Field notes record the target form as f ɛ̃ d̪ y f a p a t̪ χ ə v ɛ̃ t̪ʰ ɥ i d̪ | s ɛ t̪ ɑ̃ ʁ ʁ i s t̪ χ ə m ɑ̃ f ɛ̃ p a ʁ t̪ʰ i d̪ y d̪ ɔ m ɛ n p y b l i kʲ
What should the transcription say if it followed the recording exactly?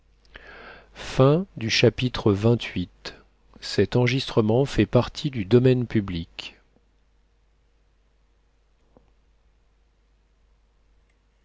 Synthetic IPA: f ɛ̃ d̪ y ʃ a p i t̪ χ ə v ɛ̃ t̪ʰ ɥ i t̪ | s ɛ t̪ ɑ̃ ʁ ʒ i s t̪ χ ə m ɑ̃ f ɛ p a ʁ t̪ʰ i d̪ y d̪ ɔ m ɛ n p y b l i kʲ